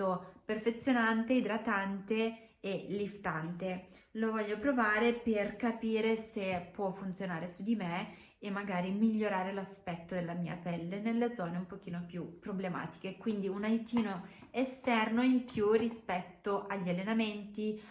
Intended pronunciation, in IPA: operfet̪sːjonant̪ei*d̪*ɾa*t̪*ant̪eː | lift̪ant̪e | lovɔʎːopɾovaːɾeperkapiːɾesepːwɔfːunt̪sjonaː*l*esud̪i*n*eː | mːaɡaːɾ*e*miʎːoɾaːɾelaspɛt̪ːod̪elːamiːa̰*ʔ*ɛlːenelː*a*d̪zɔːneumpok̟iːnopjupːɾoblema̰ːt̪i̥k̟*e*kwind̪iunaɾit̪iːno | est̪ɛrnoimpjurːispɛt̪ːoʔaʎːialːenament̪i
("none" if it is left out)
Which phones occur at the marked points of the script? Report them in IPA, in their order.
d̪, t̪, ɾ, m, i, p, e, e

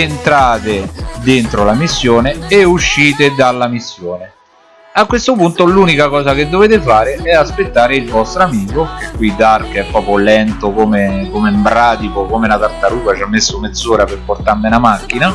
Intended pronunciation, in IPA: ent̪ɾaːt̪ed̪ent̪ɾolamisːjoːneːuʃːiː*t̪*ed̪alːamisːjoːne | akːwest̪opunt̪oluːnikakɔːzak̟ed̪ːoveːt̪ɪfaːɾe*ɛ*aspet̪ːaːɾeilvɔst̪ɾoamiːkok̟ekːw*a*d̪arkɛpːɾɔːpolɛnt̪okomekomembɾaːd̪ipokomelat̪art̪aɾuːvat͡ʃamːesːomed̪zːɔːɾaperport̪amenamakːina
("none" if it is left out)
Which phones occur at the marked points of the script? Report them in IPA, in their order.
t̪, ɛ, i

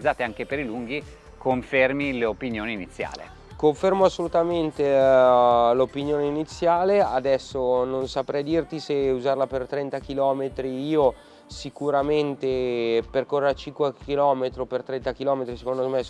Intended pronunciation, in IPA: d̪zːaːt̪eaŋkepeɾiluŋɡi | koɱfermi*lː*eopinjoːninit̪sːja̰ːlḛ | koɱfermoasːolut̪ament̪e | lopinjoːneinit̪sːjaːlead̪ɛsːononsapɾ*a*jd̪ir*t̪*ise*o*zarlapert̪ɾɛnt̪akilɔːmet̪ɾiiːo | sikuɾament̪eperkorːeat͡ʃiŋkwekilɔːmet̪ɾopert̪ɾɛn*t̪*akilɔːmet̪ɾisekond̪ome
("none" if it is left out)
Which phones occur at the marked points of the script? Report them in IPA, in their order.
l, ɛ, t̪, u, t̪

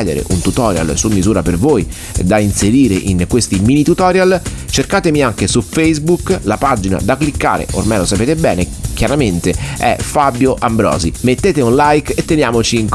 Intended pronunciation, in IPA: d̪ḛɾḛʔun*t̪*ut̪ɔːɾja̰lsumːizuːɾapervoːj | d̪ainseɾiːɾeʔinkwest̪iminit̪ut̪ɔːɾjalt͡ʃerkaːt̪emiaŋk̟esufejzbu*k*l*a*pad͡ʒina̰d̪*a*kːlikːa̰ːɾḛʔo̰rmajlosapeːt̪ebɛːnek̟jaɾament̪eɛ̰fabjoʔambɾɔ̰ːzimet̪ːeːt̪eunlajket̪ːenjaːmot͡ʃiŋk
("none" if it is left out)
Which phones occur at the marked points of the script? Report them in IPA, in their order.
t̪, k, a, a

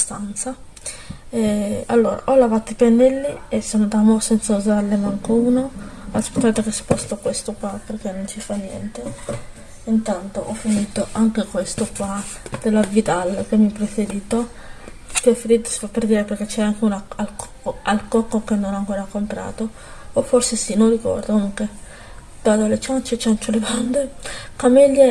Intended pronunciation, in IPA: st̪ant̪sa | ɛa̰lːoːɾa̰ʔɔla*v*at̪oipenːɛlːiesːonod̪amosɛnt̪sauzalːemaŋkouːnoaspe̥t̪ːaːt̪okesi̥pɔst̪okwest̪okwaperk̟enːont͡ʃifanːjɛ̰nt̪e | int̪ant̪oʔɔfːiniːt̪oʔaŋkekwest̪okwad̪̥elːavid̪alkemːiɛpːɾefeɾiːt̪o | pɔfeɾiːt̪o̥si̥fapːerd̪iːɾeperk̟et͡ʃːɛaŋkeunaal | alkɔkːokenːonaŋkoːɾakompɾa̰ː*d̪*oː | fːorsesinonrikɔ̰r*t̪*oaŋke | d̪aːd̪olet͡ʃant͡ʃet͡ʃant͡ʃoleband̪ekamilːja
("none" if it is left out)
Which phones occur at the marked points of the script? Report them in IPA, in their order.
v, t̪, d̪

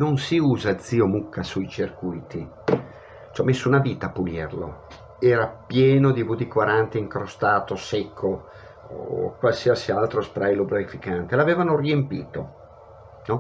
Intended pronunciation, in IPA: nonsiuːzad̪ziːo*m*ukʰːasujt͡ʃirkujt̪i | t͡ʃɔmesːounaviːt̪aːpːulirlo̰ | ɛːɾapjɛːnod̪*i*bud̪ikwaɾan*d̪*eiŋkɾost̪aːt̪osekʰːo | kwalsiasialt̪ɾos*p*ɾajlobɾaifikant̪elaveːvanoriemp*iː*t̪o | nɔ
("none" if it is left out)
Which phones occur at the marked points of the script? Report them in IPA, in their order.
m, i, t̪, p, iː

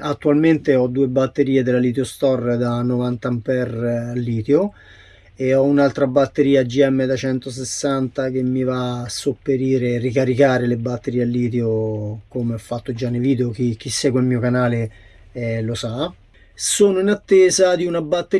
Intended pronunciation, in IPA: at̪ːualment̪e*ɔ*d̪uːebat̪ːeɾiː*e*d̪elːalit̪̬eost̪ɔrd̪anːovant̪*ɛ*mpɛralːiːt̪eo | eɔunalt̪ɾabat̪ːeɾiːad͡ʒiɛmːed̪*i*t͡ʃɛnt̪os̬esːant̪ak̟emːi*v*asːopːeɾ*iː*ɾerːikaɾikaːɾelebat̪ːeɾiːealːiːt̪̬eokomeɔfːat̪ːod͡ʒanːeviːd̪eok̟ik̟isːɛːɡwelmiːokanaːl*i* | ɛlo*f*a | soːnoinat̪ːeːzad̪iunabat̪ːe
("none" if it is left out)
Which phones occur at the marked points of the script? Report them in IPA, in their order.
ɔ, e, a, a, v, iː, e, s

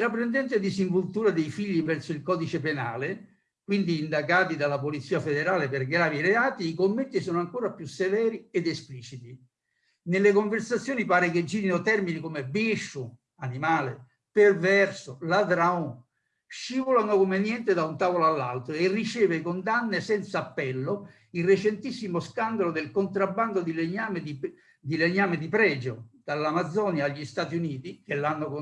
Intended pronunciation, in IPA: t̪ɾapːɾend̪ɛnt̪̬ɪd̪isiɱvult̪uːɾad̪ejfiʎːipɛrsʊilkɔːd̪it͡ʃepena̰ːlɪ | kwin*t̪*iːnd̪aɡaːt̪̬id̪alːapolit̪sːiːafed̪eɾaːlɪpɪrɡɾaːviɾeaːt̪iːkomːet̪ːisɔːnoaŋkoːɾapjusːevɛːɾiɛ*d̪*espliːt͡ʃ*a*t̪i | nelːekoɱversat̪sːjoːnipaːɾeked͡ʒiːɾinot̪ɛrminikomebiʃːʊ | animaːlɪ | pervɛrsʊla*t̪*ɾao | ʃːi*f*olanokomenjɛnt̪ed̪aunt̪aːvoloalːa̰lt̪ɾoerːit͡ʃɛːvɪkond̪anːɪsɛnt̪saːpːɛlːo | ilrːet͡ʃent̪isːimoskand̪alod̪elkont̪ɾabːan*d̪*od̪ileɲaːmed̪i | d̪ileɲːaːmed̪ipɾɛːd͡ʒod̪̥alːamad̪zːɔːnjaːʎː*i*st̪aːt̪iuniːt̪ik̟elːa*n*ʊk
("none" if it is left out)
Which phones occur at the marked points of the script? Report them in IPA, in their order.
d̪, d̪, i, d̪, v, d̪, i, nː

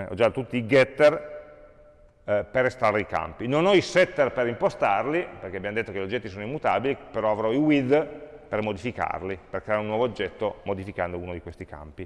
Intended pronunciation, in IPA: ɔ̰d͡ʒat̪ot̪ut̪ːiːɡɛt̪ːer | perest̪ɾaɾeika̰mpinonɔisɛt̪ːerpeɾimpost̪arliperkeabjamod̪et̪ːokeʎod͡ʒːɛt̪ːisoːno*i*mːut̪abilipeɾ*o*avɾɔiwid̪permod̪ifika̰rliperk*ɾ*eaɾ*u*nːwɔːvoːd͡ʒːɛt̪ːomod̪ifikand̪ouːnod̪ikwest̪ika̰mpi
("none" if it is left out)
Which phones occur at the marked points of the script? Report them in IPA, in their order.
i, ɔ, ɾ, u

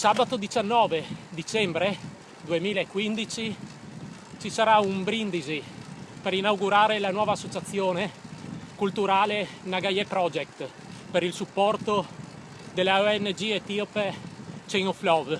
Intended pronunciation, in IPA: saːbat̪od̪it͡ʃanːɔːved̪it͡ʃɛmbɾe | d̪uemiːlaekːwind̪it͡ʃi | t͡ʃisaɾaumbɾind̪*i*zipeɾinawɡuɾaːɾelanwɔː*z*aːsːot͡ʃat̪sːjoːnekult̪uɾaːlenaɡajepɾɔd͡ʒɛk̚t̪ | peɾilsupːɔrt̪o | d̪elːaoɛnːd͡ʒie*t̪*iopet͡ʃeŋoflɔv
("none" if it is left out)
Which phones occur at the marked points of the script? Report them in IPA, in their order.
i, v, t̪

